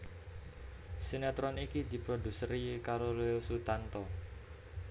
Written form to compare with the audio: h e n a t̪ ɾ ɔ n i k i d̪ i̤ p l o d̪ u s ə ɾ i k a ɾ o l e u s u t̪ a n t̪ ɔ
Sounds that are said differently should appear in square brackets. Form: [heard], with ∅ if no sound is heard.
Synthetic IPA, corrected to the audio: [s] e n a t̪ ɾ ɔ n i k i d̪ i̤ p [ɾ] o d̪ u s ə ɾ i k a ɾ o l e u s u t̪ a n t̪ ɔ

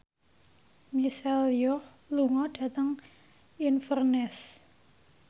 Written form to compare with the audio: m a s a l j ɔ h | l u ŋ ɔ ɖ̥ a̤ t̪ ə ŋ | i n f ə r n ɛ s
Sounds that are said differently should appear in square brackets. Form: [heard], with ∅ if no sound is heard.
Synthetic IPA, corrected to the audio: m [i] s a l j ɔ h | l u ŋ ɔ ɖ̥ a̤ t̪ ə ŋ | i n f ə r n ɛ s

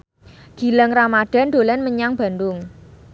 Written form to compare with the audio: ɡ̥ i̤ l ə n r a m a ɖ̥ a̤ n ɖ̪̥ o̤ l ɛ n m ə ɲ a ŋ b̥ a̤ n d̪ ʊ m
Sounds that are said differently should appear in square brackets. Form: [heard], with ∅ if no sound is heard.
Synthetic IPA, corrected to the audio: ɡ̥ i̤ l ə [ŋ] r a m a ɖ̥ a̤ n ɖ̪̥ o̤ l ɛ n m ə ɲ a ŋ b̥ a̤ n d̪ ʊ [ŋ]

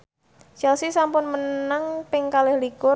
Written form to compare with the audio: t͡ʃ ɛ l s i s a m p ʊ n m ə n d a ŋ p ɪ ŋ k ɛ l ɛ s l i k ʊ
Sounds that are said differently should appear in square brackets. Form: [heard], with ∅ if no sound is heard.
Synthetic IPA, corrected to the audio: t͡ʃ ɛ l s i s a m p ʊ n m ə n [n] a ŋ p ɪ ŋ k [a] l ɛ [h] l i k ʊ

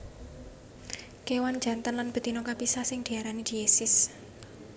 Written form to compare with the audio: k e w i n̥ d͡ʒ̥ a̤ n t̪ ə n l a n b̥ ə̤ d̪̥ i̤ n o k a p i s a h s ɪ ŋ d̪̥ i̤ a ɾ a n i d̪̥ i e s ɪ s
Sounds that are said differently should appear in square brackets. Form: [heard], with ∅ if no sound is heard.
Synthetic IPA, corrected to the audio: k e w [a] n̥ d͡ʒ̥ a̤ n t̪ ə n l a n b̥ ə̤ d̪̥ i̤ n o k a p i s a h s ɪ ŋ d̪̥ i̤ a ɾ a n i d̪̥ i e s ɪ s

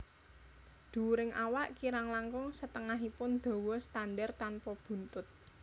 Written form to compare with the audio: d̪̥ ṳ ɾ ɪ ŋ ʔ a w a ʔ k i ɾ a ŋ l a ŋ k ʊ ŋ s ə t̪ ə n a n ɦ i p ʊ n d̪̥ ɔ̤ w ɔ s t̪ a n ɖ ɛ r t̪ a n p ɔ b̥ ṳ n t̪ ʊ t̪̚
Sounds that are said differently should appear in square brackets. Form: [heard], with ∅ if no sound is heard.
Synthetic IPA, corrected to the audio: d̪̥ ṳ ɾ ɪ ŋ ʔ a w a ʔ k i ɾ a ŋ l a ŋ k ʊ ŋ s ə t̪ ə [ŋ] a [∅] ɦ i p ʊ n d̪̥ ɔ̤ w ɔ s t̪ a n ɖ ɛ r t̪ a n p ɔ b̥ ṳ n t̪ ʊ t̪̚

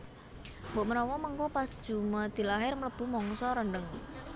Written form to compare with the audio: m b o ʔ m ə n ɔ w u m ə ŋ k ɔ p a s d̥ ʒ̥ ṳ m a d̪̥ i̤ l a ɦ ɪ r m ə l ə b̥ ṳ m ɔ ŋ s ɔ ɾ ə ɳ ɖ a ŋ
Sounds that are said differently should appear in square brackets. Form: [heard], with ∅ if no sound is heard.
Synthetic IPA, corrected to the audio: m b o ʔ m ə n ɔ w [ɔ] m ə ŋ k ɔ p a s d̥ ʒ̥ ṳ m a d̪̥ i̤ l a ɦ ɪ r m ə l ə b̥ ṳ m ɔ ŋ s ɔ ɾ ə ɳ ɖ [ə] ŋ

